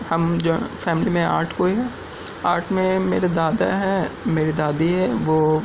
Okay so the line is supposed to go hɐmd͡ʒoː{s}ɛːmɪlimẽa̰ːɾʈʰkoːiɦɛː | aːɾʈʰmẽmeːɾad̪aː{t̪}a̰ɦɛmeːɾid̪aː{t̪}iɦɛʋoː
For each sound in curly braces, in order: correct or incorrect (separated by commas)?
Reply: incorrect, incorrect, incorrect